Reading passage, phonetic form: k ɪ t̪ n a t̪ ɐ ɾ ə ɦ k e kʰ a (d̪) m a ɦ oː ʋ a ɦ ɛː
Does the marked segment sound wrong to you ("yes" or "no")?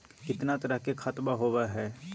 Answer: yes